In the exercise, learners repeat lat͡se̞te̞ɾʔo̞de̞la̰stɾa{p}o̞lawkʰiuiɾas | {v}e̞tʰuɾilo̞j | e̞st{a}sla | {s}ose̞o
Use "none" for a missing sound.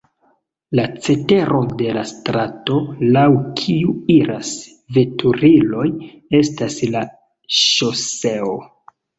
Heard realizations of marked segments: t, v, a, ʃ

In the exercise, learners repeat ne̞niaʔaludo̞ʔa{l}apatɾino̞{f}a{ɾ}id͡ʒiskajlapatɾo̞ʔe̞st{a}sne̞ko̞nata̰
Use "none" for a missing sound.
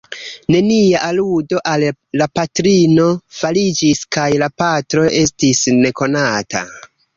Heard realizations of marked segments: lː, f, l, i

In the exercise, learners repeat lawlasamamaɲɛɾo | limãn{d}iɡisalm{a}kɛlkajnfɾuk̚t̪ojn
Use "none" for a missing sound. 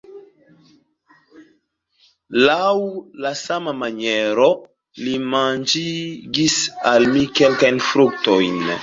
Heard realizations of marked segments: d͡ʒ, i

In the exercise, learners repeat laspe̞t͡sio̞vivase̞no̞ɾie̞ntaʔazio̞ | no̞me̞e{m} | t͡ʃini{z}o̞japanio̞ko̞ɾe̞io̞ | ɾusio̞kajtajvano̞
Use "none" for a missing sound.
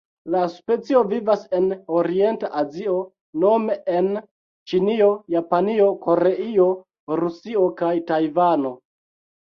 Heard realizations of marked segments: n, none

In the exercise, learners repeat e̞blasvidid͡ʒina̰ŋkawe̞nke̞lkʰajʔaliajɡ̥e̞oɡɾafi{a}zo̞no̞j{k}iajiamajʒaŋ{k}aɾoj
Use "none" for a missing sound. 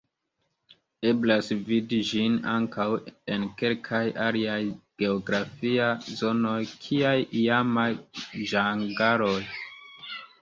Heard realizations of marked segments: a, kʰ, ɡ

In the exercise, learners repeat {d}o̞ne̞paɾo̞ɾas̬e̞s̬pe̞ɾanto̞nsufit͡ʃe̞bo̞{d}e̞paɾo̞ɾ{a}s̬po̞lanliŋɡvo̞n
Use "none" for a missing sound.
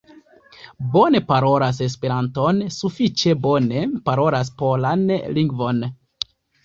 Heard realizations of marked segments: b, n, a

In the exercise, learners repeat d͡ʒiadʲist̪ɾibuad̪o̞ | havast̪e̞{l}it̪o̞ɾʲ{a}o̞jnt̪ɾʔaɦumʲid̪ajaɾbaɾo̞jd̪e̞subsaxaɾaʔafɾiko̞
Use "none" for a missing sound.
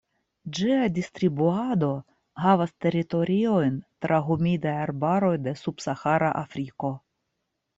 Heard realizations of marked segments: ɾ, i

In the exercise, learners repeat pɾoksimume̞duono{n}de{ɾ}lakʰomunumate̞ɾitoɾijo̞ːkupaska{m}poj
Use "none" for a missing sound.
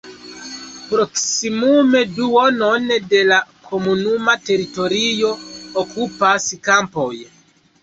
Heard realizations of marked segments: n, none, m

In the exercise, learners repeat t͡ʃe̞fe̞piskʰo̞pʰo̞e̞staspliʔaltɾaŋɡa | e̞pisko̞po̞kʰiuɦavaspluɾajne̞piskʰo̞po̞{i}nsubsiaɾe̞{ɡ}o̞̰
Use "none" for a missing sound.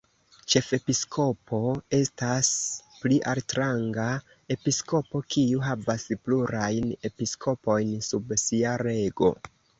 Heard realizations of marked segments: j, ɡ

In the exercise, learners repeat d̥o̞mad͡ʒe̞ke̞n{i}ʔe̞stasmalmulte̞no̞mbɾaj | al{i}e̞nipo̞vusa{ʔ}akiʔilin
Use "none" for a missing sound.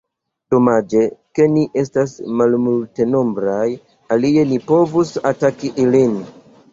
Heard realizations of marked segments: i, i, t

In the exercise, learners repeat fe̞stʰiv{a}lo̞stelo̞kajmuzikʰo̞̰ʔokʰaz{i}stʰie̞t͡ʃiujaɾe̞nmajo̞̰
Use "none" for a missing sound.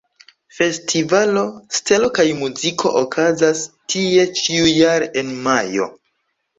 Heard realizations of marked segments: a, a

